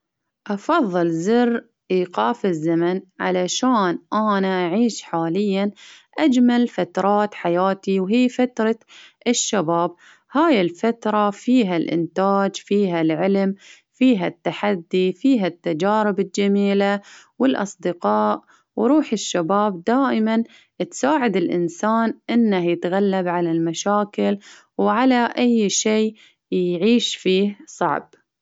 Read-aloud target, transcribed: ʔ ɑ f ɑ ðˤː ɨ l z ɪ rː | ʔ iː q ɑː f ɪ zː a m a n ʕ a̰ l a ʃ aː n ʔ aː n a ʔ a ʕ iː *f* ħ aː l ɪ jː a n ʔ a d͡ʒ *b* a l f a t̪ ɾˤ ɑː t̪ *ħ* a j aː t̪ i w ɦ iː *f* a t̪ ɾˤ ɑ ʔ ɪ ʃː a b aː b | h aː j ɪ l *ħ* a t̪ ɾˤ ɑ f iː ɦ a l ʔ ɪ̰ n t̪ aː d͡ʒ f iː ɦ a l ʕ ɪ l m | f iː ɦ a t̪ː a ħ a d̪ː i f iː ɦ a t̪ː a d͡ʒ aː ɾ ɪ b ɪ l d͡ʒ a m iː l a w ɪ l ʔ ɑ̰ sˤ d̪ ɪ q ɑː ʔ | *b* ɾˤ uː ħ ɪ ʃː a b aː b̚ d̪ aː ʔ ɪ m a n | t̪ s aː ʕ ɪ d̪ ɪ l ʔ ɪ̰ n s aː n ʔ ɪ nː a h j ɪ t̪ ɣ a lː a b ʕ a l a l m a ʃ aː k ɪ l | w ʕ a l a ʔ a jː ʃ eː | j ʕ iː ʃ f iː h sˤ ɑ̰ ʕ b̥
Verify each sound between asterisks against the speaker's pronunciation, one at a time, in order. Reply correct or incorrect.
incorrect: ʃ, incorrect: m, correct, correct, incorrect: f, incorrect: w

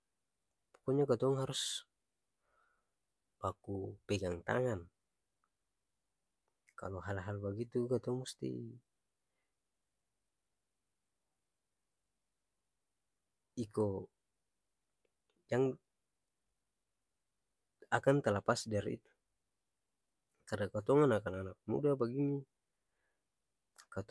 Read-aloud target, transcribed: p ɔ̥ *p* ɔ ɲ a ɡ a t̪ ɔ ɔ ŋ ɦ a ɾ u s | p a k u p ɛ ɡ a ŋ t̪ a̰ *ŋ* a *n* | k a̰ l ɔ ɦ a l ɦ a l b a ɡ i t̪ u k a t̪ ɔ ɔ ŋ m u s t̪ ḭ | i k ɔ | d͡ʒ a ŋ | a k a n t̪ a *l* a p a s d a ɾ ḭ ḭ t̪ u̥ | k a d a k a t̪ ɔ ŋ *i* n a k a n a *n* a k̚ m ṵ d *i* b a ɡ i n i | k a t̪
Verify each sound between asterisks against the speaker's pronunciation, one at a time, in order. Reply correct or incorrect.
incorrect: k, correct, correct, correct, incorrect: a, correct, incorrect: a

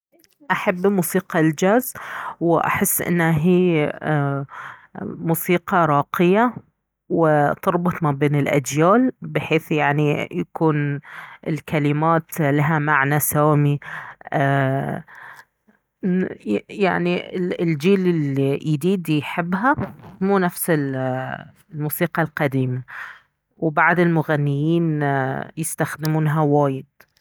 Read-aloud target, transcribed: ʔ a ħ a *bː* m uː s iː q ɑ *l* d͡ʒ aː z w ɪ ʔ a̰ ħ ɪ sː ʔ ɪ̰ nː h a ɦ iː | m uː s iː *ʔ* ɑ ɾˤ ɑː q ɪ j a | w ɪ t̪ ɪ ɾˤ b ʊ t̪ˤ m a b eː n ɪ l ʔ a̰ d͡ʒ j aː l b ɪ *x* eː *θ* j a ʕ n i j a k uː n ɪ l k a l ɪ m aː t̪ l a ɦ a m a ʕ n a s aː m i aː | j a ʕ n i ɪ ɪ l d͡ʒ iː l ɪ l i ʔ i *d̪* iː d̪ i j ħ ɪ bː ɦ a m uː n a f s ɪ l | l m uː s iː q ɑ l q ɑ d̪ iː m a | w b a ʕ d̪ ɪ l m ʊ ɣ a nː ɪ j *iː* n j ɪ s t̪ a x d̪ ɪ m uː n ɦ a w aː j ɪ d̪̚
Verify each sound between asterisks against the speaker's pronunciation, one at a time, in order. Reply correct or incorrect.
correct, correct, incorrect: q, incorrect: ħ, correct, correct, correct

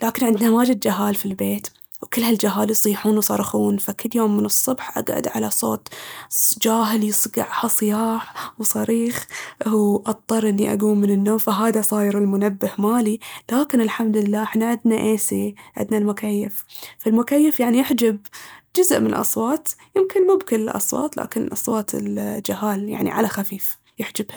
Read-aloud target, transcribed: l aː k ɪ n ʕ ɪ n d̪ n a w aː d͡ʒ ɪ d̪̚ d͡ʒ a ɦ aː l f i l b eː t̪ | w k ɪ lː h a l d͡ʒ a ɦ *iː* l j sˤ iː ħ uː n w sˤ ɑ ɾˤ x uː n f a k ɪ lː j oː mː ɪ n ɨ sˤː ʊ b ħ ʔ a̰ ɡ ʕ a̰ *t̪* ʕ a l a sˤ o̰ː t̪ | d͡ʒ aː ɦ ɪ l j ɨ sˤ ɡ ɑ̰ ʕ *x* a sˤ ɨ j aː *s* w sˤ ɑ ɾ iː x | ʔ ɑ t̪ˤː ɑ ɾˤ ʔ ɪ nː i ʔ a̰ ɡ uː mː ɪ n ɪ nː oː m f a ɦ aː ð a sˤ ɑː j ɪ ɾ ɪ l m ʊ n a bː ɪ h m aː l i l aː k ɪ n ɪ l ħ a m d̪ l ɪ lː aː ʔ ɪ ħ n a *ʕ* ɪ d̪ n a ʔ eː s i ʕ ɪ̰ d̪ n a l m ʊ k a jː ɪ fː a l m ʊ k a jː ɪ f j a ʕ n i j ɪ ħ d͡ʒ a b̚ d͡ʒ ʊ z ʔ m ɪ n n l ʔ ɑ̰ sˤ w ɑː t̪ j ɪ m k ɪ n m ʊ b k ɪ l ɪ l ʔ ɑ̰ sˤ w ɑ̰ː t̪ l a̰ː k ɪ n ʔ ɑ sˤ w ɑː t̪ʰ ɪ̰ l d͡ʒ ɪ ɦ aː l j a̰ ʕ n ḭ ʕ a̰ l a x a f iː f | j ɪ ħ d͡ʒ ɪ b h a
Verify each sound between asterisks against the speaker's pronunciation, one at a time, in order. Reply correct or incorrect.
incorrect: aː, incorrect: d̪, incorrect: h, incorrect: ħ, correct

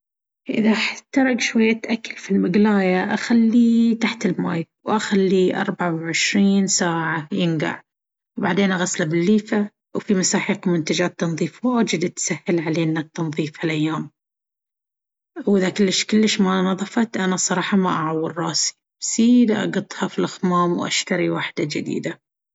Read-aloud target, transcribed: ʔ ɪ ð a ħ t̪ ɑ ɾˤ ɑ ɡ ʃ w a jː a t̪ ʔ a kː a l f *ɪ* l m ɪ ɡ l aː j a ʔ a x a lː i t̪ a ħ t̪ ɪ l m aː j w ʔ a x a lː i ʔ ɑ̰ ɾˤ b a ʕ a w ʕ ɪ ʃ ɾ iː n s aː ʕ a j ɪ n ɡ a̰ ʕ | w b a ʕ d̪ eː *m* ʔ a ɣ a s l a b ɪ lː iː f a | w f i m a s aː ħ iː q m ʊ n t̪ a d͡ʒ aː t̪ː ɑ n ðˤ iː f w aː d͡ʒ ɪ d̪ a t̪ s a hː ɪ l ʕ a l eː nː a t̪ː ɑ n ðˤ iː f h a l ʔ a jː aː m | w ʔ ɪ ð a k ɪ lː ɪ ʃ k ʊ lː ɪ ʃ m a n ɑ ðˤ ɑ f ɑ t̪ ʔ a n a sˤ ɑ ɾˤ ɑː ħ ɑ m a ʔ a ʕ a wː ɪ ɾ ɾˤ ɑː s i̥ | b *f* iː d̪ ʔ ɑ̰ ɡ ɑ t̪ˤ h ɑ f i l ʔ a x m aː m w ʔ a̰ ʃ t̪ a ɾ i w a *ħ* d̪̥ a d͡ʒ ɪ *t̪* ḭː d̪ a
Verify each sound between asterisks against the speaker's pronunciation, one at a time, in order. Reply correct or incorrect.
incorrect: i, incorrect: n, incorrect: s, correct, incorrect: d̪

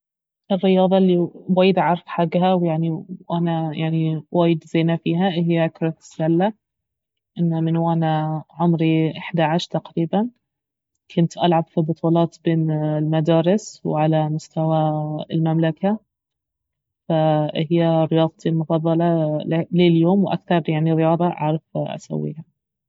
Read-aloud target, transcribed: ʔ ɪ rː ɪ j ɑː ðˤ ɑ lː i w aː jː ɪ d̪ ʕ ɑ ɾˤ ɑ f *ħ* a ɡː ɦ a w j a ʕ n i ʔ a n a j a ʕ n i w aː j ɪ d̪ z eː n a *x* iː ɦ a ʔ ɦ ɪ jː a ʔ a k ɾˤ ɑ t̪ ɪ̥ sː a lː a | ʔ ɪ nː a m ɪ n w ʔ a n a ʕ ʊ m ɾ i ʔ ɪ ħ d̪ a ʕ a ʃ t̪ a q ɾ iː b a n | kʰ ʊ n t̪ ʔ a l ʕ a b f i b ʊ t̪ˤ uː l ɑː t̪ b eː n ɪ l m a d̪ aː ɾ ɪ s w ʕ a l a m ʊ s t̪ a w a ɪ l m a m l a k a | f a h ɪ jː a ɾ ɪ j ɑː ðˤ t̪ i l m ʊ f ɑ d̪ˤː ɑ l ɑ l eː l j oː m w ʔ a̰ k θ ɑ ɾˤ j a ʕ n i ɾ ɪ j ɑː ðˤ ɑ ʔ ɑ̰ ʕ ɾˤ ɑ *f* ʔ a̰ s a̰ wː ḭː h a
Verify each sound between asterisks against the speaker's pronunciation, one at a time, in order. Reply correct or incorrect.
correct, incorrect: f, correct

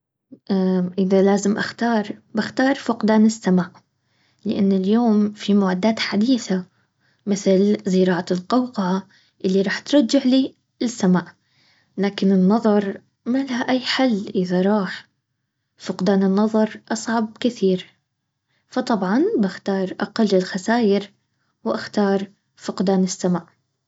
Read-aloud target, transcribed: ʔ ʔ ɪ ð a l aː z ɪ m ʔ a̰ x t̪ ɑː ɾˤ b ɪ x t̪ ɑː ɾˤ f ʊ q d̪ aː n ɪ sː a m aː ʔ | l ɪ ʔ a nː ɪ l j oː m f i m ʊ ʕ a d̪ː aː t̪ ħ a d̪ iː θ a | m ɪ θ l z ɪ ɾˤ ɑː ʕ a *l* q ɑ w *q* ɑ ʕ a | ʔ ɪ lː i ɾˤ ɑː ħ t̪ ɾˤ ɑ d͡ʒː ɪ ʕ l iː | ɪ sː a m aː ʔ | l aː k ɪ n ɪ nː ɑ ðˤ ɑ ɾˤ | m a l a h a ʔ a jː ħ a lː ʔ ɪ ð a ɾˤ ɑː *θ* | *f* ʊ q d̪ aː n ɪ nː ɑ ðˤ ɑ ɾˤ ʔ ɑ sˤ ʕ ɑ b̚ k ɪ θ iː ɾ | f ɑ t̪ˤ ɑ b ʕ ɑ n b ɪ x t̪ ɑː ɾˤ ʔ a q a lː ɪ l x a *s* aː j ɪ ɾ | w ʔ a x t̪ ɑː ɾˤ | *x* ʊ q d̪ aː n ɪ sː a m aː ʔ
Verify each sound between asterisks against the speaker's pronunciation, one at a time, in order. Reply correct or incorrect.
correct, correct, incorrect: ħ, correct, correct, incorrect: f

